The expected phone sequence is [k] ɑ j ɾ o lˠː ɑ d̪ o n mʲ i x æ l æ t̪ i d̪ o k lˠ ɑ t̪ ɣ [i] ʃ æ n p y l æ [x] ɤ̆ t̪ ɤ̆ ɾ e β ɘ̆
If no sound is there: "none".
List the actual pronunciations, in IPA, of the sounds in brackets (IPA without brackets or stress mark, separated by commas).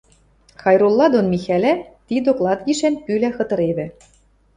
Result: x, i, x